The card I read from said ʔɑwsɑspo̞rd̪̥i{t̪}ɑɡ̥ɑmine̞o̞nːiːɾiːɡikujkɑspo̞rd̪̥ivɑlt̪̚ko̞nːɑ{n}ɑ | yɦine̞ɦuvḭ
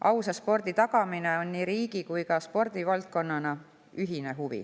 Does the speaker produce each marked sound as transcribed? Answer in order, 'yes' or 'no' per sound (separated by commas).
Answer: yes, yes